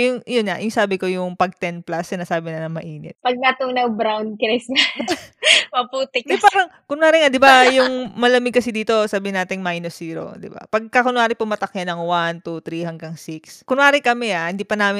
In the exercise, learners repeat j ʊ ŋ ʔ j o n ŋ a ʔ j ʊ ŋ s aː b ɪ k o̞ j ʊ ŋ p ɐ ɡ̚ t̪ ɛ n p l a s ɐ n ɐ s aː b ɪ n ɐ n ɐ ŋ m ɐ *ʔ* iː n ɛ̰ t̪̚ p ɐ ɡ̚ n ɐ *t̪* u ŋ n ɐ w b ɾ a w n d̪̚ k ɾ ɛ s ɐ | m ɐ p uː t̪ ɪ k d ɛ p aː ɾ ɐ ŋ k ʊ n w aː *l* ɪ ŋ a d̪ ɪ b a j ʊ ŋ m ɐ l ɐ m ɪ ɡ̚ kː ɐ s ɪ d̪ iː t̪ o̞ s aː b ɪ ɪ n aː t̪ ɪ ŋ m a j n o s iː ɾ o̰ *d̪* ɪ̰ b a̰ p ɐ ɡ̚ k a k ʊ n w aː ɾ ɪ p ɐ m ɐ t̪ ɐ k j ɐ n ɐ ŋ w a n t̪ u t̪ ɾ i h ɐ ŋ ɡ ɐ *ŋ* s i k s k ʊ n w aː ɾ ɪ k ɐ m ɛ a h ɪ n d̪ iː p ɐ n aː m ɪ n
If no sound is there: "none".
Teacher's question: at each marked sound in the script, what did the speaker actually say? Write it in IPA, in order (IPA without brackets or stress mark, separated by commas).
ʔ, t̪, ɾ, d̪, ŋ